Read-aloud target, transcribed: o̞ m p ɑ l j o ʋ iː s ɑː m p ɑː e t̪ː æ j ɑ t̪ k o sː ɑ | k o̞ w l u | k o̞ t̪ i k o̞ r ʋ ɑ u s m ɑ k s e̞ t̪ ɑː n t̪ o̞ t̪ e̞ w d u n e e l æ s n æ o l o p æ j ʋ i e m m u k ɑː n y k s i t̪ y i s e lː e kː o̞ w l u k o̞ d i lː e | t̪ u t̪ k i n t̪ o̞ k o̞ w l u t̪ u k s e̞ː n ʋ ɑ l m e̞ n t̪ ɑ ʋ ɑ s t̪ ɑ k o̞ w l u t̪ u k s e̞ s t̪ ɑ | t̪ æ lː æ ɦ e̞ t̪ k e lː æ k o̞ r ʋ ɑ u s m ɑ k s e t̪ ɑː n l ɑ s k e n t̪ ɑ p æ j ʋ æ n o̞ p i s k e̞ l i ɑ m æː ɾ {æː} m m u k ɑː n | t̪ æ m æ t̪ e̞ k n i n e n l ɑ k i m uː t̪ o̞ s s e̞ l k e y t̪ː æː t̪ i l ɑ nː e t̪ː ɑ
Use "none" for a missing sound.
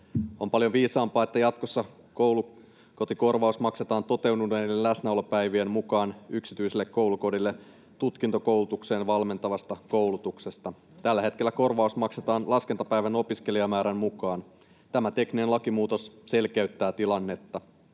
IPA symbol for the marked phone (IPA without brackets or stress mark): æ